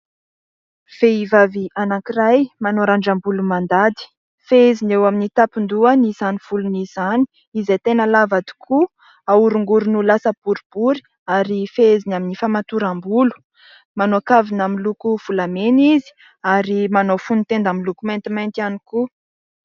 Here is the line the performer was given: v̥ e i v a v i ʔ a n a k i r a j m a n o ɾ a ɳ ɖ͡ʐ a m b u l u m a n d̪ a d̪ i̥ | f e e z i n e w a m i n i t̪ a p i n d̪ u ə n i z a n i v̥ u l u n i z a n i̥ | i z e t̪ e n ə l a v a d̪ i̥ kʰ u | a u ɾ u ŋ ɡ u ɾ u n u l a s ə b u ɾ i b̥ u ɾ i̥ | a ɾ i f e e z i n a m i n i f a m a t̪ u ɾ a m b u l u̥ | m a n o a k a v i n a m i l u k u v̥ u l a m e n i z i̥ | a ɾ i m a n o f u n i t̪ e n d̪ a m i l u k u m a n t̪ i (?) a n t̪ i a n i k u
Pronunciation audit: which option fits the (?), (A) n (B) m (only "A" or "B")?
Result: B